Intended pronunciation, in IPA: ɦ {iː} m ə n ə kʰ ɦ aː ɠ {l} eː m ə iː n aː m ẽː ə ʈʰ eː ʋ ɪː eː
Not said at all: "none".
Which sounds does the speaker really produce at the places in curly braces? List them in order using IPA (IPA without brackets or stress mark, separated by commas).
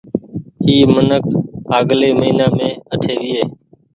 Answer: iː, l